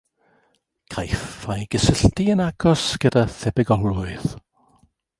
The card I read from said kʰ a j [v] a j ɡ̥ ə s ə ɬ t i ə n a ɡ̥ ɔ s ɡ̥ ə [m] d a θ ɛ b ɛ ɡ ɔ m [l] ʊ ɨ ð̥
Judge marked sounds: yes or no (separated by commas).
no, no, yes